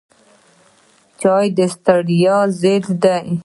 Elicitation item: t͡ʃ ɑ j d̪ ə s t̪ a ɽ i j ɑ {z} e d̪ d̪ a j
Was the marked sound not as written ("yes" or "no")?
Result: no